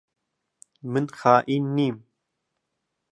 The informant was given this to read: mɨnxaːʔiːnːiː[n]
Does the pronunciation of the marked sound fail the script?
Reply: yes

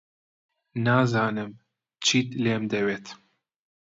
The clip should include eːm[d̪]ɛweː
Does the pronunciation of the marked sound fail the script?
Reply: no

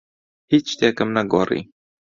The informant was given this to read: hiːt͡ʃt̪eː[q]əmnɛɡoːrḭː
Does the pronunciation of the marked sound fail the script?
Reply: yes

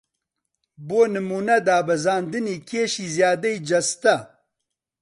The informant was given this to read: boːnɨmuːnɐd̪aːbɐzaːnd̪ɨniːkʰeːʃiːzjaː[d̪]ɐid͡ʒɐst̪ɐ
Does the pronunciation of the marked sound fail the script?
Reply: no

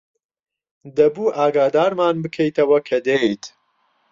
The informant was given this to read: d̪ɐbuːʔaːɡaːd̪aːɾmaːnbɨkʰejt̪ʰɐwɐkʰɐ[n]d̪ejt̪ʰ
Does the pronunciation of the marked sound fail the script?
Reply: yes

